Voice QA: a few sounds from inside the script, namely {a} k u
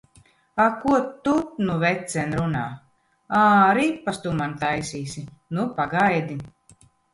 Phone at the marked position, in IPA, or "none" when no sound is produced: a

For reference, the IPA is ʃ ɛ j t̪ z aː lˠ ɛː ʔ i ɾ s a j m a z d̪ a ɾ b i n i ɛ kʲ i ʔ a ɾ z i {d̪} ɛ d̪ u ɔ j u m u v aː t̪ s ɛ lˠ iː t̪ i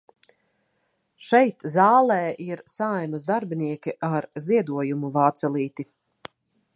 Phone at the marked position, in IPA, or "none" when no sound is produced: none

